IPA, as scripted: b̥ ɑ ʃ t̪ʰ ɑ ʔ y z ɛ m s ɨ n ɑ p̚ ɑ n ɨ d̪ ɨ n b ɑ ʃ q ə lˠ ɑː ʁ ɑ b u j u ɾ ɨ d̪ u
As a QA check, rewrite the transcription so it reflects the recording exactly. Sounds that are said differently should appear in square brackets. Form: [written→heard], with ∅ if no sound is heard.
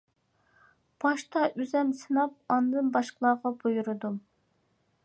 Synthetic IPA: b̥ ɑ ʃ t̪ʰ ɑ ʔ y z ɛ m s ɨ n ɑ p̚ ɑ n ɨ d̪ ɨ n b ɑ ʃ q ə lˠ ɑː ʁ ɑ b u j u ɾ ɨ d̪ u